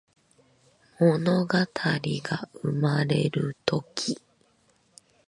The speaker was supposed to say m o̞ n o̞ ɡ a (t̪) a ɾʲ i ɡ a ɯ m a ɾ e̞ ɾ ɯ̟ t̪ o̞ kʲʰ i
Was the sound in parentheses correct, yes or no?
no